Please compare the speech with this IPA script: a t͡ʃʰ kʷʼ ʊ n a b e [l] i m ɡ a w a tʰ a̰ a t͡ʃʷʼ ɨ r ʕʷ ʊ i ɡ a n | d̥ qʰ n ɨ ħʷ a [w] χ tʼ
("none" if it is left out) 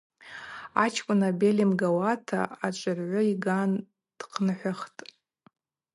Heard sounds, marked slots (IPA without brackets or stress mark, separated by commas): l, none